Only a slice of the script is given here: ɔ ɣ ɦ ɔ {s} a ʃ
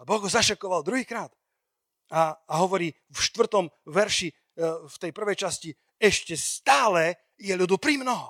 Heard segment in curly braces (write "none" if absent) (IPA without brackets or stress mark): z